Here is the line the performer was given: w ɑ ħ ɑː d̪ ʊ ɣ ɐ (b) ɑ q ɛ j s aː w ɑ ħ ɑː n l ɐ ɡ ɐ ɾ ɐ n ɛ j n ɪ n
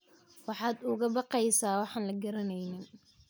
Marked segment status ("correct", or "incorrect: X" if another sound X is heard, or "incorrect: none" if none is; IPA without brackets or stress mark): correct